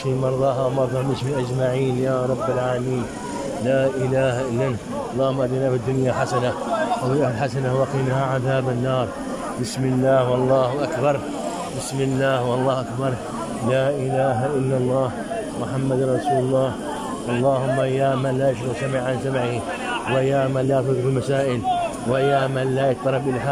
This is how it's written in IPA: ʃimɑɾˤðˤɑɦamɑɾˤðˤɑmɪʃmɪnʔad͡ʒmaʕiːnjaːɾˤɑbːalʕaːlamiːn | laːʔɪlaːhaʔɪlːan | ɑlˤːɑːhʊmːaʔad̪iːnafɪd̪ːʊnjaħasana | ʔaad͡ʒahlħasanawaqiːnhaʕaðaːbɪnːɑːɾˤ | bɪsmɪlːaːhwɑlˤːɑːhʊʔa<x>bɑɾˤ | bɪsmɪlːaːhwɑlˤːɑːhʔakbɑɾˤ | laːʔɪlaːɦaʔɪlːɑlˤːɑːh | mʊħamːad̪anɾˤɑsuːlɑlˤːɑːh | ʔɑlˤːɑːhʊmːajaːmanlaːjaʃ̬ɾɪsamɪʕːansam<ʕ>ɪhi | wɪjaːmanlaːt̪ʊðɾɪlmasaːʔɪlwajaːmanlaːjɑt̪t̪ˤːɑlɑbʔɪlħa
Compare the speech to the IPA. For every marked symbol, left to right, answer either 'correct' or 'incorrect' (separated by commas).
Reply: incorrect, correct